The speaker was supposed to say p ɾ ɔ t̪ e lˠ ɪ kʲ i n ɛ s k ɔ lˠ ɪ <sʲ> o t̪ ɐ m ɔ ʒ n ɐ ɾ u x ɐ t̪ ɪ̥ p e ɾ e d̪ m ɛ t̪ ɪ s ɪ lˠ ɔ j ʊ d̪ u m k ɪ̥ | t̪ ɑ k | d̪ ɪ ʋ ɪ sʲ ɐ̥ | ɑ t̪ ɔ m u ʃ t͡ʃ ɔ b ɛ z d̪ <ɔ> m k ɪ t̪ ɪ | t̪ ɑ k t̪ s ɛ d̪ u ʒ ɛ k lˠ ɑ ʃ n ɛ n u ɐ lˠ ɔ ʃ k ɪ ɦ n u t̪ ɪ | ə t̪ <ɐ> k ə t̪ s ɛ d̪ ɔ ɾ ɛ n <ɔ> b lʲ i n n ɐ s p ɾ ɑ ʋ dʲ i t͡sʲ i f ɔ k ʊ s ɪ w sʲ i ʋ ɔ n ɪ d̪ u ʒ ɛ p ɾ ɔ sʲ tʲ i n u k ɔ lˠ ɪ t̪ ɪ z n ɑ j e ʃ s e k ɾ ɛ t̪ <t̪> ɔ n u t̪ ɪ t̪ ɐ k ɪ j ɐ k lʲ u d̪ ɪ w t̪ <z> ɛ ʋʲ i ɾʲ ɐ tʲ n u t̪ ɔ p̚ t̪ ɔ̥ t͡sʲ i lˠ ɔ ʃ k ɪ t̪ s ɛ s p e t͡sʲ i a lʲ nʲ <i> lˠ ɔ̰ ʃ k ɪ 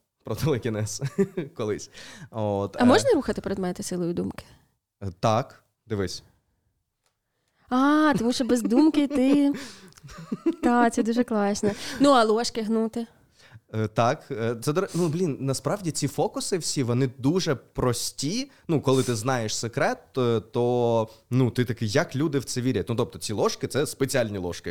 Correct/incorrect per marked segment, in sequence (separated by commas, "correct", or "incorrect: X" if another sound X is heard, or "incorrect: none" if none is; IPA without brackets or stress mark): correct, incorrect: u, incorrect: ɑ, incorrect: u, correct, incorrect: s, correct